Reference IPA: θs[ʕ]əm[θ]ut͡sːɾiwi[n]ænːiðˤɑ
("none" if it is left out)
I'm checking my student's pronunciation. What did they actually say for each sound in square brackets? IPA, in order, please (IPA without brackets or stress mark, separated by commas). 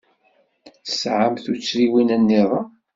ʕ, θ, n